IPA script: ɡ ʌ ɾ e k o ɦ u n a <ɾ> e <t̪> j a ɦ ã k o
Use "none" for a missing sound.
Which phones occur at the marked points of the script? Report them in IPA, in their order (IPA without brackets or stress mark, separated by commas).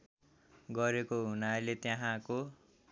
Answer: l, t̪